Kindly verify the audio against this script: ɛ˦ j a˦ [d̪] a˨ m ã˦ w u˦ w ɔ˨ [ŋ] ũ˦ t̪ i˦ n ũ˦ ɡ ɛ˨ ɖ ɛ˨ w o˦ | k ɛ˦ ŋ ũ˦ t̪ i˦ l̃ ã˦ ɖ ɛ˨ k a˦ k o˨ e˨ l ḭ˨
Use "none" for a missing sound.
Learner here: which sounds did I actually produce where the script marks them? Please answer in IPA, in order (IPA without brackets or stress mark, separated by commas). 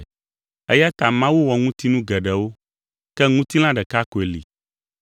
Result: t̪, ŋ